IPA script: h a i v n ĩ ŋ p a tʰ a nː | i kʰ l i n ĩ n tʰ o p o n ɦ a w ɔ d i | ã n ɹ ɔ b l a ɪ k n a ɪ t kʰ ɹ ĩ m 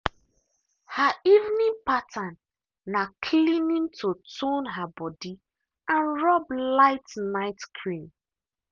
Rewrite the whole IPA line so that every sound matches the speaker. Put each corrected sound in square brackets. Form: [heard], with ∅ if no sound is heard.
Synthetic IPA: h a i v n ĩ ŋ p a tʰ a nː | [a] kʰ l i n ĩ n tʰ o [t] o n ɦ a [b] ɔ d i | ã n ɹ ɔ b l a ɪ [t] n a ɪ t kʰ ɹ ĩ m